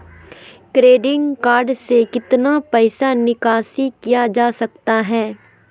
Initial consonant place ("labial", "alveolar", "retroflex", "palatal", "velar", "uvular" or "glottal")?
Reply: velar